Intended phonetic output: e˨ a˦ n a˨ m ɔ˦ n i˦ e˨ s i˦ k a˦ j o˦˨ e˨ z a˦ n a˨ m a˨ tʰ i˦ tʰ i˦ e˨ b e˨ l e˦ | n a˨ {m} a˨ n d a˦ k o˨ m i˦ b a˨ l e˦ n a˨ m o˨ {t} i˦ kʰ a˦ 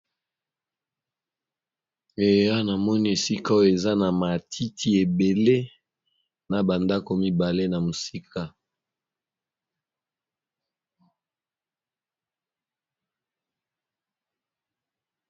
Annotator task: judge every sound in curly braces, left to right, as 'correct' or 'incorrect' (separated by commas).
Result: incorrect, incorrect